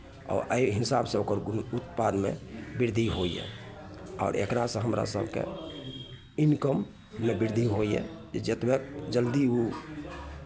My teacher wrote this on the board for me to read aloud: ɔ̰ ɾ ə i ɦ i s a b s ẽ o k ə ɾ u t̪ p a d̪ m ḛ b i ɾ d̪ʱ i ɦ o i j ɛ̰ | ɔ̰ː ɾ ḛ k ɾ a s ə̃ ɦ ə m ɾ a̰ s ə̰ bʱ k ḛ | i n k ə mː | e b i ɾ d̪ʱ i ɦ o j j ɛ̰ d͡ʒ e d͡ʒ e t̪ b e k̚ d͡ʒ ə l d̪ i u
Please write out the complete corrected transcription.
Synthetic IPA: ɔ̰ ɾ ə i ɦ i s a b s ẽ o k ə ɾ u t̪ p a d̪ m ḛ b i ɾ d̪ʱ i ɦ o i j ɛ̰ | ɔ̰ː ɾ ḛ k ɾ a s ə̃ ɦ ə m ɾ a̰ s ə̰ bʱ k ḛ | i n k ə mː | e b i ɾ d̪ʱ i ɦ o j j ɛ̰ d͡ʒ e d͡ʒ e t̪ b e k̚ d͡ʒ ə l d̪ i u

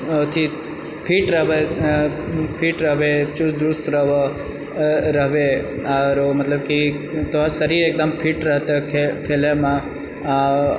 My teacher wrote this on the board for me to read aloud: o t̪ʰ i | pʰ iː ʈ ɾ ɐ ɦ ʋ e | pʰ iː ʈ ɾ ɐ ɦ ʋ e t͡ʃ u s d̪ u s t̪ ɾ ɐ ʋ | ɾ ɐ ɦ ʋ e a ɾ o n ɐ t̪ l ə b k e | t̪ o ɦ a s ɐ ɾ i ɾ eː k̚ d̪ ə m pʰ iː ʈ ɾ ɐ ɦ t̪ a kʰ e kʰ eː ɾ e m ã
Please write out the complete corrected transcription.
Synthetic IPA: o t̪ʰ i | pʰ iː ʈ ɾ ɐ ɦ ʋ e | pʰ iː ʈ ɾ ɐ ɦ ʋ e t͡ʃ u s d̪ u s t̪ ɾ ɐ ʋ | ɾ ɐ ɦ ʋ e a ɾ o m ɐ t̪ l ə b k i | t̪ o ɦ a s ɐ ɾ i ɾ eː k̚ d̪ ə m pʰ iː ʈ ɾ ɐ ɦ t̪ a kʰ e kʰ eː l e m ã

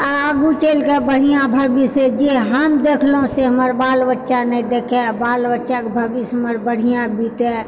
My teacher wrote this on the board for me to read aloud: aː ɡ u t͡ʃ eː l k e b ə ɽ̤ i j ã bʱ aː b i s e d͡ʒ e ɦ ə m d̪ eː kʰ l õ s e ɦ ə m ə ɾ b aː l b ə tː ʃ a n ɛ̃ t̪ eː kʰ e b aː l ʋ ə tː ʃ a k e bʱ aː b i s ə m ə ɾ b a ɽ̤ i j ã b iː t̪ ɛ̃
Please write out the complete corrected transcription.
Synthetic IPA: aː ɡ u t͡ʃ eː l k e b ə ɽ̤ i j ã bʱ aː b i s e d͡ʒ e ɦ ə m d̪ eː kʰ l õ s e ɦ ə m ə ɾ b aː l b ə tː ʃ a n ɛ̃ d̪ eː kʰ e b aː l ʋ ə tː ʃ a k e bʱ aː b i s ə m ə ɾ b ə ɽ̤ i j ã b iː t̪ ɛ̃

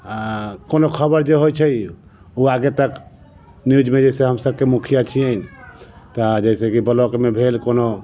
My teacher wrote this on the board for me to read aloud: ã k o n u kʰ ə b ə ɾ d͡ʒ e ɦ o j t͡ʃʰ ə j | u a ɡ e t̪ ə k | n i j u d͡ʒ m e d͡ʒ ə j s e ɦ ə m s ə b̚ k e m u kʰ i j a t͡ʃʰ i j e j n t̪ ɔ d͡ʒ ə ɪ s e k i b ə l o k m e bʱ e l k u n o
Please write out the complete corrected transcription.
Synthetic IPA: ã k o n o kʰ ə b ə ɾ d͡ʒ e ɦ o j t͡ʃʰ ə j | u a ɡ e t̪ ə k | n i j u d͡ʒ m e d͡ʒ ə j s e ɦ ə m s ə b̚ k e m u kʰ i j a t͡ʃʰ i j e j n t̪ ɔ d͡ʒ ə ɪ s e k i b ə l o k m e bʱ e l k o n o

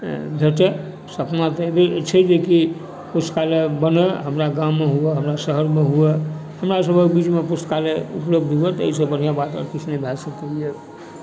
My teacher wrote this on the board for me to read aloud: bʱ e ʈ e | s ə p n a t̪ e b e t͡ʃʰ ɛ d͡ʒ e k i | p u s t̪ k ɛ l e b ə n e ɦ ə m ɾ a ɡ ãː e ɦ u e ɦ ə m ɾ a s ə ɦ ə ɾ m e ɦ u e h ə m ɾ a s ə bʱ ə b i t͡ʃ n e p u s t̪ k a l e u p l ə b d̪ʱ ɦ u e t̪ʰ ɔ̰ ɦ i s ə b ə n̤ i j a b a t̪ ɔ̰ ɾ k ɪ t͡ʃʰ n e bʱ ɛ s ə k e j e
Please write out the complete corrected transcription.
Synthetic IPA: bʱ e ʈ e | s ə p n a t̪ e b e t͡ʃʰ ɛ d͡ʒ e k i | p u s t̪ k a l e b ə n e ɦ ə m ɾ a ɡ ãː e ɦ u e ɦ ə m ɾ a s ə ɦ ə ɾ m e ɦ u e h ə m ɾ a s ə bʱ ə b i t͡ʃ m e p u s t̪ k a l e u p l ə b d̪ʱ ɦ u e t̪ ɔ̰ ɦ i s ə b ə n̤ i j a b a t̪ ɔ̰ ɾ k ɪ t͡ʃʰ n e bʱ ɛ s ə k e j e

